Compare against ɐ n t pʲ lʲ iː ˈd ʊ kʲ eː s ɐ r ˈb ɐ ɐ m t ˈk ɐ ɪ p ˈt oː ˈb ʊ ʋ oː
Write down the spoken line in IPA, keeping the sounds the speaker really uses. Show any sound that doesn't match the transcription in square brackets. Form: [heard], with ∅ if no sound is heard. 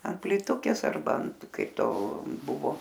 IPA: ɐ n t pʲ lʲ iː [ˈt] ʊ kʲ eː s ɐ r ˈb ɐ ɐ [n] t ˈk ɐ ɪ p ˈt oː ˈb ʊ ʋ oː